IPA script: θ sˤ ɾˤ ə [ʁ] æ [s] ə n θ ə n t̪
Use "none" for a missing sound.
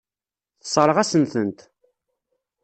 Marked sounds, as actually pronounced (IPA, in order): ʁ, s

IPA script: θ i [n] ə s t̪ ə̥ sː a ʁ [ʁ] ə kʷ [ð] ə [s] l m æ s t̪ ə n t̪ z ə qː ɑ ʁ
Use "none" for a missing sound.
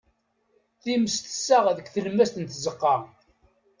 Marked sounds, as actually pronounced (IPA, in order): m, ð, θ, none

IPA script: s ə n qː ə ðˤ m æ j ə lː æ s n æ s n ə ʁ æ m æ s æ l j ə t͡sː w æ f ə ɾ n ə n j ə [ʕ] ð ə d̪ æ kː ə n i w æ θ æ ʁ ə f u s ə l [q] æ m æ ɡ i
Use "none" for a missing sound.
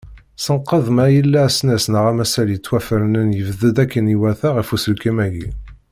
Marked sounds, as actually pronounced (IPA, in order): v, k

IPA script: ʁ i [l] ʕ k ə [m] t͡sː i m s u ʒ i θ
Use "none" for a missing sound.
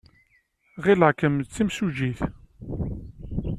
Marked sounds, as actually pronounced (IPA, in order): l, m

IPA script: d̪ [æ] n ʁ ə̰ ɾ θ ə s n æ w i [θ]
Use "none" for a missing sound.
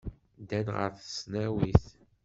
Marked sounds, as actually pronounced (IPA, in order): æ, θ

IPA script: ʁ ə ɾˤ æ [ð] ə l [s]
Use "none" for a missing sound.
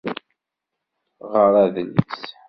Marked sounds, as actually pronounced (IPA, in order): ð, s

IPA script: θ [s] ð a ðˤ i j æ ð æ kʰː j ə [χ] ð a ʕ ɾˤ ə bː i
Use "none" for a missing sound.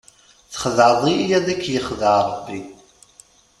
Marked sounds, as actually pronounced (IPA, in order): χ, χ

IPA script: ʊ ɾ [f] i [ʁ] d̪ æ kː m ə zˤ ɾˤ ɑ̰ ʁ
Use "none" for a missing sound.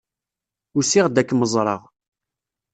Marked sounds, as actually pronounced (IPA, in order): s, ʁ

